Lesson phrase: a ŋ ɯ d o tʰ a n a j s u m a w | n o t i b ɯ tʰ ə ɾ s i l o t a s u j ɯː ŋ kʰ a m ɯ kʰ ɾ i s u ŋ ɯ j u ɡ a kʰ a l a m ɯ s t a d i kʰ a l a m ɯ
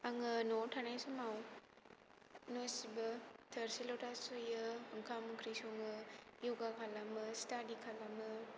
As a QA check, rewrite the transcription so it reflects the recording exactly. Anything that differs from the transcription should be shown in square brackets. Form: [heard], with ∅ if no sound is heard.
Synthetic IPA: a ŋ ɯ [n] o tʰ a n a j s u m a w | n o [s] i b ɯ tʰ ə ɾ s i l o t a s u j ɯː ŋ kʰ a m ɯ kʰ ɾ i s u ŋ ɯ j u ɡ a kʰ a l a m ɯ s t a d i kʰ a l a m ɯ